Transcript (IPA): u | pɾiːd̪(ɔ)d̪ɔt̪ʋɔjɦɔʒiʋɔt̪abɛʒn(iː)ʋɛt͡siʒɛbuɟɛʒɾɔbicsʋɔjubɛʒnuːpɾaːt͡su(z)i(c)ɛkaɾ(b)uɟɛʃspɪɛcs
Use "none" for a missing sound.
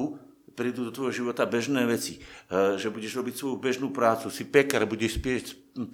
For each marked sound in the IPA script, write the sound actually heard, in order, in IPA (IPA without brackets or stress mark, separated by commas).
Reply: u, ɛː, s, p, b